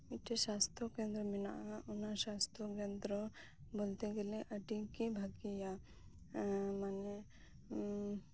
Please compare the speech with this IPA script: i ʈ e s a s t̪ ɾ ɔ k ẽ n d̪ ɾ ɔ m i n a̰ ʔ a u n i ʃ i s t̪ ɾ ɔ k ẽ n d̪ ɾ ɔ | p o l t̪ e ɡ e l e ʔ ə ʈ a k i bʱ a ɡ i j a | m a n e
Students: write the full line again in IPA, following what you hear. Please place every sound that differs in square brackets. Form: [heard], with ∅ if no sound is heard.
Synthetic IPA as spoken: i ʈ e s a s t̪ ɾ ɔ k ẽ n d̪ ɾ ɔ m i n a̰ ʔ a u n [a] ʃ [a] s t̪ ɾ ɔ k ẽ n d̪ ɾ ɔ | [b] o l t̪ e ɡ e l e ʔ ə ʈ [i] k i bʱ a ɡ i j a | m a n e